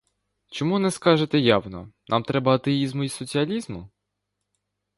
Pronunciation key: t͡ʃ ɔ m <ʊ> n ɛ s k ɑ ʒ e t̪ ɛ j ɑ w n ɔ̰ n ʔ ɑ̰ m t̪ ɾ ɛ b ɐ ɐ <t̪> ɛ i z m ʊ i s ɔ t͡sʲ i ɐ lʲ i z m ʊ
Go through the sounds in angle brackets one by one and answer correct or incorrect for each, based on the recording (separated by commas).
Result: incorrect, correct